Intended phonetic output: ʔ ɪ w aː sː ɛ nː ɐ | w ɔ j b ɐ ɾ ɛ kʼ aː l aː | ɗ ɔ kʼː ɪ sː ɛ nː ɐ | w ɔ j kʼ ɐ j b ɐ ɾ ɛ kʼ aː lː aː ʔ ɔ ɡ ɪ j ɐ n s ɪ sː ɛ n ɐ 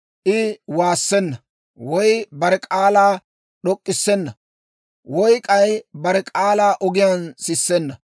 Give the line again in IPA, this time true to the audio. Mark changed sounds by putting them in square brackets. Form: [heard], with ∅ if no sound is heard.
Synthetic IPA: ʔ ɪ w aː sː ɛ nː ɐ | w ɔ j b ɐ ɾ ɛ kʼ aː l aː | ɗ ɔ kʼː ɪ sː ɛ nː ɐ | w ɔ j kʼ ɐ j b ɐ ɾ ɛ kʼ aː [l] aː ʔ ɔ ɡ ɪ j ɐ n s ɪ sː ɛ [nː] ɐ